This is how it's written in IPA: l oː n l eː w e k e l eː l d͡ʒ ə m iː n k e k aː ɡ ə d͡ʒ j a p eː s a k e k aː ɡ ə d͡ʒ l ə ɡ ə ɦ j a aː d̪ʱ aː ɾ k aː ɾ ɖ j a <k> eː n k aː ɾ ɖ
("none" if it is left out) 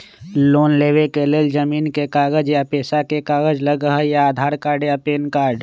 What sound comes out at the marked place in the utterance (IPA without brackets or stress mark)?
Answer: p